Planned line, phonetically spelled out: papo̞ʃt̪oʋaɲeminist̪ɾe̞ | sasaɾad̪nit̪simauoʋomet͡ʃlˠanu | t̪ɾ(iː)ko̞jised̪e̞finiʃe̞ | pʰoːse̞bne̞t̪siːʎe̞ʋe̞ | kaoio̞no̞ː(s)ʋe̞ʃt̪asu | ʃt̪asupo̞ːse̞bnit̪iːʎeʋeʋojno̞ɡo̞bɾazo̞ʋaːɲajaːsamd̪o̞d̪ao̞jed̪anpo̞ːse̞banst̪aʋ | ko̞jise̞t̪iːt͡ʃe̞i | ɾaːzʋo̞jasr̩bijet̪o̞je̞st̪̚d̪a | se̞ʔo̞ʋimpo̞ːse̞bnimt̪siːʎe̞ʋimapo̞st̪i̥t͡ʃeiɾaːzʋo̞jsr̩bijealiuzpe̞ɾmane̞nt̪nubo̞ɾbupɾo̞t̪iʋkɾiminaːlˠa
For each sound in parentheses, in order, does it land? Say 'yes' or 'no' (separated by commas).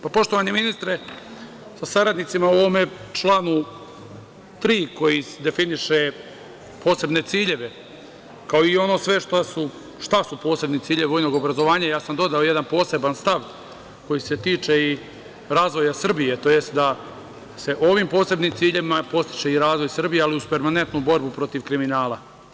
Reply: yes, yes